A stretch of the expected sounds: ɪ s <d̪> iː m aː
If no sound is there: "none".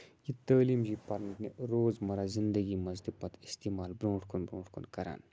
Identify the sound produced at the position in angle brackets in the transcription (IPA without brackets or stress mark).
t̪